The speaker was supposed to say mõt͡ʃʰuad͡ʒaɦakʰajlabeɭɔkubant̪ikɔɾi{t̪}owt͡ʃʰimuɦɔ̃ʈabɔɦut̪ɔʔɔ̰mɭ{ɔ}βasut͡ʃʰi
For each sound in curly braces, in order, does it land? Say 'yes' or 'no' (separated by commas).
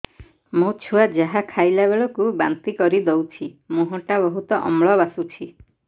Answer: no, yes